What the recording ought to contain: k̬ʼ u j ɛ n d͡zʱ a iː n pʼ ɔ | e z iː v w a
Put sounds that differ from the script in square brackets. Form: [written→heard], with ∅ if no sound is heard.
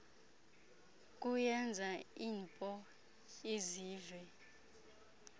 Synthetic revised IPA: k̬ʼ u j ɛ n d͡zʱ a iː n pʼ ɔ | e z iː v w [a→ɛ]